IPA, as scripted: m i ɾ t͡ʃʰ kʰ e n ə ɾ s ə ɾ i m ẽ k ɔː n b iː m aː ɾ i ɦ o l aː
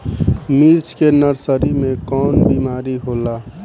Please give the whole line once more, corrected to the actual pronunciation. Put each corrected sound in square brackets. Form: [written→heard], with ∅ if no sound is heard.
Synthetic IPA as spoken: m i ɾ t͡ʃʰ [kʰ→k] e n ə ɾ s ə ɾ i m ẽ k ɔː n b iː m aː ɾ i ɦ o l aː